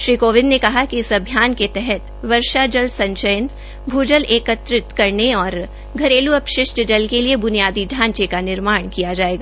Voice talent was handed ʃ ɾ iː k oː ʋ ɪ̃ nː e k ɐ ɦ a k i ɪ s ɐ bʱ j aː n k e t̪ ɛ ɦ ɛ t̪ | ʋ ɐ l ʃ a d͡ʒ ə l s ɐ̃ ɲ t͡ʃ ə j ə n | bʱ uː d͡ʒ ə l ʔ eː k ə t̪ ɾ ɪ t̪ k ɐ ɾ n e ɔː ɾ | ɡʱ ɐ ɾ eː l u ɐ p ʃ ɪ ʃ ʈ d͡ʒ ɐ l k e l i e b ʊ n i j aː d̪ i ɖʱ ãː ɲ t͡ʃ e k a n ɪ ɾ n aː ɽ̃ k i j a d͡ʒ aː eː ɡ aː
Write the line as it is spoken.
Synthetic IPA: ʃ ɾ iː k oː ʋ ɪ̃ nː e k ɐ ɦ a k i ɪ s ɐ bʱ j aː n k e t̪ ɛ ɦ ɛ t̪ | ʋ ɐ ɾ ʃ a d͡ʒ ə l s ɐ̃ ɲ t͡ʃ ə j ə n | bʱ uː d͡ʒ ə l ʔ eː k ə t̪ ɾ ɪ t̪ k ɐ ɾ n e ɔː ɾ | ɡʱ ɐ ɾ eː l u ɐ p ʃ ɪ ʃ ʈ d͡ʒ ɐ l k e l i e b ʊ n i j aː d̪ i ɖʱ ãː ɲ t͡ʃ e k a n ɪ ɾ m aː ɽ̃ k i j a d͡ʒ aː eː ɡ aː